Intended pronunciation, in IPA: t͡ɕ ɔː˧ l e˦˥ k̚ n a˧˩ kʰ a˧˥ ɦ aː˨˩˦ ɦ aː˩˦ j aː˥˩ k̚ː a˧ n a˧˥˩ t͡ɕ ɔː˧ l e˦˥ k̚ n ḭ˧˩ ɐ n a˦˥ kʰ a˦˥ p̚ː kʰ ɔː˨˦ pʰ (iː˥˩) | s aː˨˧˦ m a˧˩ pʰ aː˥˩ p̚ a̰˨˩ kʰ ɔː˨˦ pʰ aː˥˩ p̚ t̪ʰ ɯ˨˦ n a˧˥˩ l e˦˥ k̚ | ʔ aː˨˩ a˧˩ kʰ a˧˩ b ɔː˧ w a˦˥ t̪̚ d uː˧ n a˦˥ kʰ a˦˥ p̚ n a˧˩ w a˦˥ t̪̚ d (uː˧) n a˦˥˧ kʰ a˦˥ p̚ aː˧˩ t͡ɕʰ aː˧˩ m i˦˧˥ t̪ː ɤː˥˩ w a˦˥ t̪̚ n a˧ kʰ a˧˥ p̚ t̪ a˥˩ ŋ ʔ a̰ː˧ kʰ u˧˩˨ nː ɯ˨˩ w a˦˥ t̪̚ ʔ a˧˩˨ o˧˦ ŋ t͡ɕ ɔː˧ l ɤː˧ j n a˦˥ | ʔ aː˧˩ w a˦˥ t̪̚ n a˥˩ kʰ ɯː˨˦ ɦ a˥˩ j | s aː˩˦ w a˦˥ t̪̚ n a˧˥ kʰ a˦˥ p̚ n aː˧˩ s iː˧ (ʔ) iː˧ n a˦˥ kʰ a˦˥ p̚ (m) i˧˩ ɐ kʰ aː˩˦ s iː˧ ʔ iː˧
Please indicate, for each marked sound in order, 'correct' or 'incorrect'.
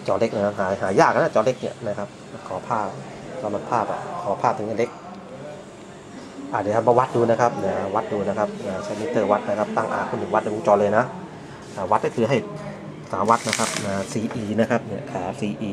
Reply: incorrect, correct, correct, incorrect

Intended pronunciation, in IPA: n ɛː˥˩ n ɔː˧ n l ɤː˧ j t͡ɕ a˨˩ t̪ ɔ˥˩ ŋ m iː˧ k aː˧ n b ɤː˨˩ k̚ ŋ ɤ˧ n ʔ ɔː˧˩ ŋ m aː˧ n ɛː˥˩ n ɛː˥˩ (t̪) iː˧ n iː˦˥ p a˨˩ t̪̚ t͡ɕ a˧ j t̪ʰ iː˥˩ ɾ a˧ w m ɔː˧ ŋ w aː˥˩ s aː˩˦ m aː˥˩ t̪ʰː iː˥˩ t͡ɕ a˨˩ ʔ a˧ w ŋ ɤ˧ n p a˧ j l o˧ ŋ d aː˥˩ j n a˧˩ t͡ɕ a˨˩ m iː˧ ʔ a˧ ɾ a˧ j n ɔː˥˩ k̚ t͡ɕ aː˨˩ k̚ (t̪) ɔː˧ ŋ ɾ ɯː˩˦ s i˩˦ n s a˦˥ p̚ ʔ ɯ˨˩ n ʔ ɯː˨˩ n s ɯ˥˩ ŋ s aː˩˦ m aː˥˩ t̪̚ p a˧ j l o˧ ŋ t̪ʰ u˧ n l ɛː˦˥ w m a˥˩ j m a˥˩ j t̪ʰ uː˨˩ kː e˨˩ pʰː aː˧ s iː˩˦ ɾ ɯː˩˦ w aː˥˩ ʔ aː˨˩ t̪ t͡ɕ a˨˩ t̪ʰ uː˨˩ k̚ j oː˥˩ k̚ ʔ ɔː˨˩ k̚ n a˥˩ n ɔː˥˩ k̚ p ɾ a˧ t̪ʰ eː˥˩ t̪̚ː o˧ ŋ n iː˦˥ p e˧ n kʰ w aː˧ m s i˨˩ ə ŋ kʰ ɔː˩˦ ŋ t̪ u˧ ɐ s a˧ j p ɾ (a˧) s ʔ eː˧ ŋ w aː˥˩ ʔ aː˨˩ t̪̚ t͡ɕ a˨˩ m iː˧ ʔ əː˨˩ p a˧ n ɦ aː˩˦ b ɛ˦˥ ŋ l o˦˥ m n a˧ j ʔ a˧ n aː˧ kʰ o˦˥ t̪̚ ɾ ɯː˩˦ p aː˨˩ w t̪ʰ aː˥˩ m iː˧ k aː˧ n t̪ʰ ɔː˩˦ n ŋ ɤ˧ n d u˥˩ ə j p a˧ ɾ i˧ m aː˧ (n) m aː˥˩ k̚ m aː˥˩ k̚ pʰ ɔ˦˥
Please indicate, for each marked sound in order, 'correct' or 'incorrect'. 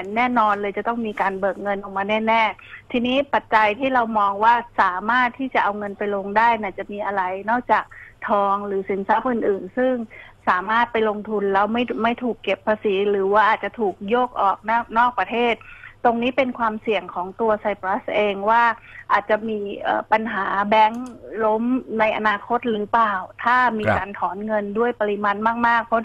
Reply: incorrect, incorrect, incorrect, correct

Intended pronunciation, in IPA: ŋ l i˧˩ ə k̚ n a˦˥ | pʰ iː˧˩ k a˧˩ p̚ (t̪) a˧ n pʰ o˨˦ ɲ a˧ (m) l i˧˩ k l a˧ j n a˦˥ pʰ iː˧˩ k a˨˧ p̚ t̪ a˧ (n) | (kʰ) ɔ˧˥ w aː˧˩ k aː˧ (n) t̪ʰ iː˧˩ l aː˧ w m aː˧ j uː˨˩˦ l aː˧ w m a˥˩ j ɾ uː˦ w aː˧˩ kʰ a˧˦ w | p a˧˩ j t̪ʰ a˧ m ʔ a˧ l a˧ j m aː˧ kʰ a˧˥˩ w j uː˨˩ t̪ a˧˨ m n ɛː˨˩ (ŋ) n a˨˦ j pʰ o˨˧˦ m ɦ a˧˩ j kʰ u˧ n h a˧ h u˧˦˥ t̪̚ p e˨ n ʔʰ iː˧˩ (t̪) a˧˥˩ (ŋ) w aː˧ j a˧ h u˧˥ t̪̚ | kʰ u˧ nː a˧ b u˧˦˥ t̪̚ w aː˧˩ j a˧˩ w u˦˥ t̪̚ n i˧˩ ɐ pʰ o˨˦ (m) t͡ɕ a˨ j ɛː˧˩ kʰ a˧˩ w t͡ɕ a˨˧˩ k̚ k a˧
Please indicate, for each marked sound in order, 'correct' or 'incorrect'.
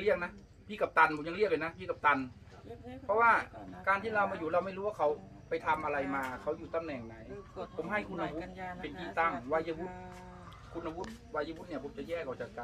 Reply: correct, incorrect, correct, incorrect, correct, correct, correct, correct, correct

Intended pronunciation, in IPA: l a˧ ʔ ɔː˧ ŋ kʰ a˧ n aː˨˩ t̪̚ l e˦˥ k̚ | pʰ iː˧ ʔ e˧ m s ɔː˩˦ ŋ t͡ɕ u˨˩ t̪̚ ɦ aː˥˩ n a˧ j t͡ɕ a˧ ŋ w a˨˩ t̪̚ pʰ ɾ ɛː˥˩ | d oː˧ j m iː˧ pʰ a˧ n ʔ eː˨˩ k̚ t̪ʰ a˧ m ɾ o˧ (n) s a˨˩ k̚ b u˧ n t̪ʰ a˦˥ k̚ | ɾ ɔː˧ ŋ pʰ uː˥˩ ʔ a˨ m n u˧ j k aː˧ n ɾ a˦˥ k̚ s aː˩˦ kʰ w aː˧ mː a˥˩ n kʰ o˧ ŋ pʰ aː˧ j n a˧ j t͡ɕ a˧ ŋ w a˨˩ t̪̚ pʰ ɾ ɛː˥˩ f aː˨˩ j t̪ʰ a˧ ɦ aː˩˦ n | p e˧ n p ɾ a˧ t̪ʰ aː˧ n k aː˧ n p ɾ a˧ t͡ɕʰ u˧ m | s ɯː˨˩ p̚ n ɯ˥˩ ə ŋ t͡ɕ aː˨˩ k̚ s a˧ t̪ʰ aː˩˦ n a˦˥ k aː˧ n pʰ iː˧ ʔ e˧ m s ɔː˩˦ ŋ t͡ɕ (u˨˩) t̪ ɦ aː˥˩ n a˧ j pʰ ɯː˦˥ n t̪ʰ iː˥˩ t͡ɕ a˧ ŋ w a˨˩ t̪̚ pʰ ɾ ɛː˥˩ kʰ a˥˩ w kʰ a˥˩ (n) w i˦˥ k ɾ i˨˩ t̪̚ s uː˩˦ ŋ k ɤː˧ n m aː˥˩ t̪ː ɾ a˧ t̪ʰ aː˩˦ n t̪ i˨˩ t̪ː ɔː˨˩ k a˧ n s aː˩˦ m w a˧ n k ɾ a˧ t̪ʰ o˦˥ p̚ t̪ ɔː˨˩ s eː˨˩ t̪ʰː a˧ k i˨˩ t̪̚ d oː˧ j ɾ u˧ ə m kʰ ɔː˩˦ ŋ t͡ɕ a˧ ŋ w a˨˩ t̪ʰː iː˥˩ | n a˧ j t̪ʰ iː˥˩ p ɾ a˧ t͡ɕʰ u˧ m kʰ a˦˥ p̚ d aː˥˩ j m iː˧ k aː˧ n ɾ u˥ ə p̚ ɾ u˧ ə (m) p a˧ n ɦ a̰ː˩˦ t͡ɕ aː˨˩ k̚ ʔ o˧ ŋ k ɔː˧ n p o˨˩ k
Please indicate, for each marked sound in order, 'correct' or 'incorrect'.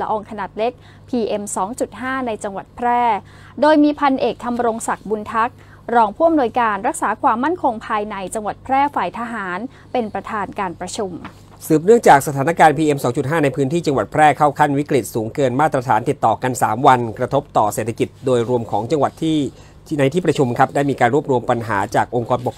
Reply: incorrect, correct, correct, correct

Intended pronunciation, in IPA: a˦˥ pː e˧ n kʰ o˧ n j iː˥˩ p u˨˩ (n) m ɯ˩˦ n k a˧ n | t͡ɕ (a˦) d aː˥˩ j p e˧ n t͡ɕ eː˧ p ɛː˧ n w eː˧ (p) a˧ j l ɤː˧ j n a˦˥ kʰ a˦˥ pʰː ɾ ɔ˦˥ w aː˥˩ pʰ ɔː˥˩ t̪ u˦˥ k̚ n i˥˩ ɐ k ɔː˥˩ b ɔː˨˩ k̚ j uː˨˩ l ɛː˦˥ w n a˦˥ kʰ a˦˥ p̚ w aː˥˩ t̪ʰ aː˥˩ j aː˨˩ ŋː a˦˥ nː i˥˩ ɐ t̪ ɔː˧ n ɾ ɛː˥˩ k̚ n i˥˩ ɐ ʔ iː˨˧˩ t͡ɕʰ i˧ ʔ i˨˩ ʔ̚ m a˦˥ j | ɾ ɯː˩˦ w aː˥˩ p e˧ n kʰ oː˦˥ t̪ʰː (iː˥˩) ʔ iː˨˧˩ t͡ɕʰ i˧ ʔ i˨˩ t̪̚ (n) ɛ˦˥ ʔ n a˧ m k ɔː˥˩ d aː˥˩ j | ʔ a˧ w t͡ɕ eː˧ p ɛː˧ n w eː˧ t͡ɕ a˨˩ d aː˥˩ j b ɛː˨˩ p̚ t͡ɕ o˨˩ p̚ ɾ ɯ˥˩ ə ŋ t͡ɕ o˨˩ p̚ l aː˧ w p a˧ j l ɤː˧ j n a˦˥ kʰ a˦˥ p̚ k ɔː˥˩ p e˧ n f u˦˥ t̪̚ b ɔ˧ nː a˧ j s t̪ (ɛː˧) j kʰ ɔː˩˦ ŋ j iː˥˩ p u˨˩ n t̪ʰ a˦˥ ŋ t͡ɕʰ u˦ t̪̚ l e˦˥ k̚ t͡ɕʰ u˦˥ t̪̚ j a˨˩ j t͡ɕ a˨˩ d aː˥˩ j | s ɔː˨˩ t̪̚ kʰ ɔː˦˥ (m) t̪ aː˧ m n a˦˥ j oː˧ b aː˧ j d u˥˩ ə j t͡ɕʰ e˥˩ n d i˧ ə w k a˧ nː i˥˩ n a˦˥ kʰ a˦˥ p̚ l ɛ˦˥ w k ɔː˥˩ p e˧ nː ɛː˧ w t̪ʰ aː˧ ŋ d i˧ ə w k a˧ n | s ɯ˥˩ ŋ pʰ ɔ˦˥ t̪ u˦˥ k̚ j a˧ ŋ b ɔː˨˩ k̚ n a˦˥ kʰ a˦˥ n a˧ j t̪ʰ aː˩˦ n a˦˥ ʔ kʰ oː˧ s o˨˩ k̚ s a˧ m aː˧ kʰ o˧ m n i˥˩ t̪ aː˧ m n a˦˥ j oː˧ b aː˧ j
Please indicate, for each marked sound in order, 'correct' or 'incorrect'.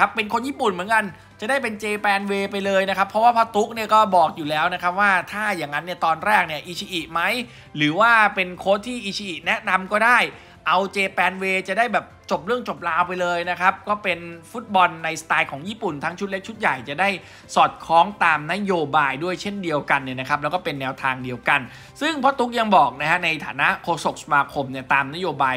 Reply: correct, incorrect, correct, correct, correct, incorrect, incorrect

